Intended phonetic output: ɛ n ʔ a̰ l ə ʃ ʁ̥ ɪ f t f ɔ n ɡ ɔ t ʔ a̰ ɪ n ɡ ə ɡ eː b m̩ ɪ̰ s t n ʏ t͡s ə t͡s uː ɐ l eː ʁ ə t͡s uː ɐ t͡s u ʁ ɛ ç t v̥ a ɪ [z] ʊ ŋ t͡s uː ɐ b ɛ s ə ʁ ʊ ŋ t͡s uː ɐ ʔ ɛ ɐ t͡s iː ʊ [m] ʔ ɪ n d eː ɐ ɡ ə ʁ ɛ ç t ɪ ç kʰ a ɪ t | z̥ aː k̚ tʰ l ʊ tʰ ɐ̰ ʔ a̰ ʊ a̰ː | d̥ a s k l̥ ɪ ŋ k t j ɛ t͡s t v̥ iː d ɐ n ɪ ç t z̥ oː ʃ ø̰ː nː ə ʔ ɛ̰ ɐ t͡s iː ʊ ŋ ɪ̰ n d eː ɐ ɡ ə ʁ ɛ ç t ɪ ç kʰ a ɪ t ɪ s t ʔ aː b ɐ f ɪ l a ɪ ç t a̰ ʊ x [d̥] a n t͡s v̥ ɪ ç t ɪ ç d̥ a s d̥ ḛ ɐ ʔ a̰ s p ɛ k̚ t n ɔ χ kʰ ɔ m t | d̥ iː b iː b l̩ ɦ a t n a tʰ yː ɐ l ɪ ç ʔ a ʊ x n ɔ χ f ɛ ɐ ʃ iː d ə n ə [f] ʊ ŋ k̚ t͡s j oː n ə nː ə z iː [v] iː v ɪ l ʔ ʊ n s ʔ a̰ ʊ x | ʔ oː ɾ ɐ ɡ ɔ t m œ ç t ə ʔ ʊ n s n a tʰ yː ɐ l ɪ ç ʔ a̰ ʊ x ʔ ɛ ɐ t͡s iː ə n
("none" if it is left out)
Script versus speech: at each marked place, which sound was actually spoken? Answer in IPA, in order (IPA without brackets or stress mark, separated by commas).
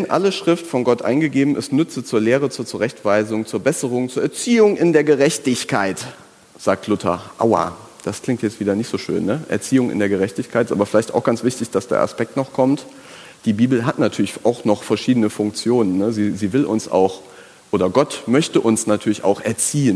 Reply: z, ŋ, ɡ̥, f, z